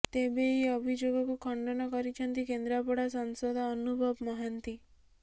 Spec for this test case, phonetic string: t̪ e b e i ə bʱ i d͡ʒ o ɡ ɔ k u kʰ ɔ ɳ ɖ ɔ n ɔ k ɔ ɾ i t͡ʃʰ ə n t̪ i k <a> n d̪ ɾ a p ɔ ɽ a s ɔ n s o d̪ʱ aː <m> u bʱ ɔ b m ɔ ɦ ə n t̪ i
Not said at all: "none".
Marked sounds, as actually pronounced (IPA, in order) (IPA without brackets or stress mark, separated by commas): e, n